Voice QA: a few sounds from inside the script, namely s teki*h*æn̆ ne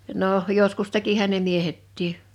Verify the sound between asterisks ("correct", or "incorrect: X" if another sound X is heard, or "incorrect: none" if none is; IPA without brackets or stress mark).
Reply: correct